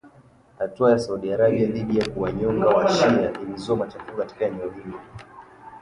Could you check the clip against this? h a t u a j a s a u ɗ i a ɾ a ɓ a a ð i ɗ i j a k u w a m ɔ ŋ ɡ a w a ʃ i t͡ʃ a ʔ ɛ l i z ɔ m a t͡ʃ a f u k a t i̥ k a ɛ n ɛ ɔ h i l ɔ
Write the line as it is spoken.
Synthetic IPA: h a t u a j a s a u ɗ i a ɾ a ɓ i a ð i ɗ i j a k u w a ɲ ɔ ŋ ɡ a w a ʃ i a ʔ i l i z ɔ m a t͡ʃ a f u k a t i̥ k a ɛ n ɛ ɔ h i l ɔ